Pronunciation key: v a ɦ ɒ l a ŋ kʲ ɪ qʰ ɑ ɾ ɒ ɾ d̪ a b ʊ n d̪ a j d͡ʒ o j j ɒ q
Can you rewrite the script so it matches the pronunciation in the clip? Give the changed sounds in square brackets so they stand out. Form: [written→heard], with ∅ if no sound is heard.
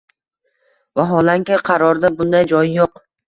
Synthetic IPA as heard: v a ɦ ɒ l a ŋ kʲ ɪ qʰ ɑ ɾ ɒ ɾ d̪ a b ʊ n d̪ a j d͡ʒ [o→ɒ] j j [ɒ→o] q